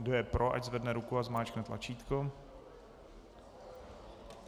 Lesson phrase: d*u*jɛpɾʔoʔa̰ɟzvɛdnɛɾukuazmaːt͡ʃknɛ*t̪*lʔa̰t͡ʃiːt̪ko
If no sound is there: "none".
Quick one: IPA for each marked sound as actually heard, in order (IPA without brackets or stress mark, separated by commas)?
o, t̪